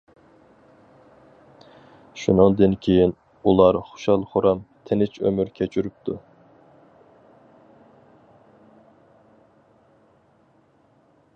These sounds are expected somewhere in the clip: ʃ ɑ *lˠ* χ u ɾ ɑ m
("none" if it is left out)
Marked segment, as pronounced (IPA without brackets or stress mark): lˠ